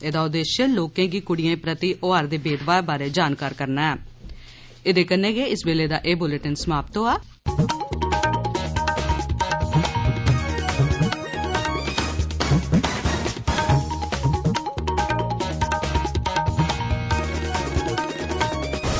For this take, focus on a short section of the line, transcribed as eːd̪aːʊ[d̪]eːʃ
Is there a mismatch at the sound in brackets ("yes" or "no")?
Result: no